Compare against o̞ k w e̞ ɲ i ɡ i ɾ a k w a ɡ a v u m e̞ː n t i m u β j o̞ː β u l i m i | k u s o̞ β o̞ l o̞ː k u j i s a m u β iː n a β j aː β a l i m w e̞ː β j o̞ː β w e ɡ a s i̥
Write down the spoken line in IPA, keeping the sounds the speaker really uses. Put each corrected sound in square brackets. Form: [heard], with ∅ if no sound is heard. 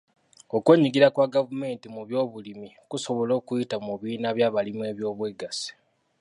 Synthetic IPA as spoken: o̞ k w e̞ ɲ i ɡ i ɾ a k w a ɡ a v u m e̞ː n t i m u β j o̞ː β u l i m i | k u s o̞ β o̞ l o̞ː k u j i [t] a m u β iː n a β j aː β a l i m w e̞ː β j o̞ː β w e ɡ a s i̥

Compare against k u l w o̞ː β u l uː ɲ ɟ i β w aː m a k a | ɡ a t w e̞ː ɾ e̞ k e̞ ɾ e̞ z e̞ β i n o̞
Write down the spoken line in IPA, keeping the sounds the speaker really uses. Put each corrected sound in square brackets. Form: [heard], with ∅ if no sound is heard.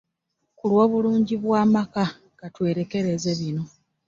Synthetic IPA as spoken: k u l w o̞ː β u l uː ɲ ɟ i β w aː m a k a | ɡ a t w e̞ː ɾ e̞ k e̞ ɾ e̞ z e̞ β i n o̞

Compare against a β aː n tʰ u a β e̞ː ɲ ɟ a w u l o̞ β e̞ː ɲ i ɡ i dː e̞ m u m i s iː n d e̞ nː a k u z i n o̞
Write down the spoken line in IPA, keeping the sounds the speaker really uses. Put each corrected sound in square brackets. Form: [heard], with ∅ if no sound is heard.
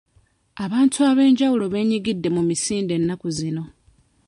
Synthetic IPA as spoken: a β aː n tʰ u a β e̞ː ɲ ɟ a w u l o̞ β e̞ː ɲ i ɡ i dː e̞ m u m i s iː n d e̞ nː a k u z i n o̞

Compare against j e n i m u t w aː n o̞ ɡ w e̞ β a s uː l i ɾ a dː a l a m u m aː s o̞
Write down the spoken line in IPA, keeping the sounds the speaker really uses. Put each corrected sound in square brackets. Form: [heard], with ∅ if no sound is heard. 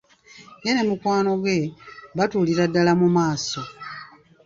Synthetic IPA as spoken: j e n [e] m u [k] w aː n o̞ ɡ w e̞ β a [t] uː l i ɾ a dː a l a m u m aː s o̞

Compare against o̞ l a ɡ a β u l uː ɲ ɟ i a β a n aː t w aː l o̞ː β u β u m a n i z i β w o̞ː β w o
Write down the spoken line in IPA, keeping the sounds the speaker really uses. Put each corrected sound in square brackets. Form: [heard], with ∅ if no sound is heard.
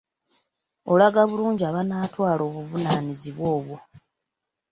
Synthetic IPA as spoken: o̞ l a ɡ a β u l uː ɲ ɟ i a β a n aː t w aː l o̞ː β u [v] u [n] a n i z i β w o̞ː β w o

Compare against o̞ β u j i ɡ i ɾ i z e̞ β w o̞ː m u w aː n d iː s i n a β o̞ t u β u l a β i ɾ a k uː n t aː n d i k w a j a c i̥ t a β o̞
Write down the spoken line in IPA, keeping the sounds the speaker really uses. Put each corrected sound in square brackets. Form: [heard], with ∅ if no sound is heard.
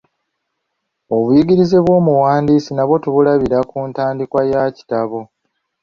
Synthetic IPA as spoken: o̞ β u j i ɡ i ɾ i z e̞ β w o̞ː m u w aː n d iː s i n a β o̞ t u β u l a β i ɾ a k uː n t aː n d i k w a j a c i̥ t a β o̞

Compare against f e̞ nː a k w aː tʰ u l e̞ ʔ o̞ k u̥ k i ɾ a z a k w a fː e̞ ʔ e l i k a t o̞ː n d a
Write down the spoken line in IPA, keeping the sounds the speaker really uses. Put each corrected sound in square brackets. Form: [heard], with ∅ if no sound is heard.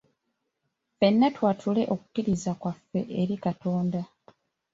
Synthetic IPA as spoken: f e̞ nː a [t] w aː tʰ u l e̞ ʔ o̞ k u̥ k i ɾ [i] z a k w a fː e̞ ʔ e [ɾ] i k a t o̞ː n d a

